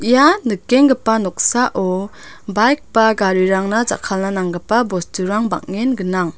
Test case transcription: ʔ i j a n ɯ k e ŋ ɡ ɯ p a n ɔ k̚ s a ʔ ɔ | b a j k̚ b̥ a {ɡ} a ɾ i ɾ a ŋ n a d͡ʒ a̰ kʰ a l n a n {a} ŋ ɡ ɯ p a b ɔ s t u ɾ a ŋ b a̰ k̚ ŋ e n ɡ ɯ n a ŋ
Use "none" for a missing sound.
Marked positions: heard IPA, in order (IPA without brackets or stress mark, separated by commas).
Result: ɡ, a